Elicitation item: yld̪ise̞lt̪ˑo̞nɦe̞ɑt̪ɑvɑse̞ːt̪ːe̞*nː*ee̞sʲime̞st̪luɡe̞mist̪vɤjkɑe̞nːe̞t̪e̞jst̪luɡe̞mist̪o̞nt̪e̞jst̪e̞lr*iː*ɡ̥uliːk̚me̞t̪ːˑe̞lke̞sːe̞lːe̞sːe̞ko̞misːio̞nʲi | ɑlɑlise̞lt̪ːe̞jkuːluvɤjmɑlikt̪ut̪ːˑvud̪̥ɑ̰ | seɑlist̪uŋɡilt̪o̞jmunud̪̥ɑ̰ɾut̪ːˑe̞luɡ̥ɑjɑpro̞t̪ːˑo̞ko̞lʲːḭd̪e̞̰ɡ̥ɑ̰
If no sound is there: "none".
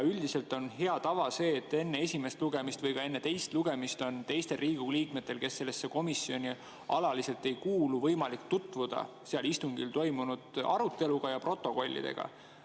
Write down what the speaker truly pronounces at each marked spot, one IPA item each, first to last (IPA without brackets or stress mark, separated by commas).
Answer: nː, iː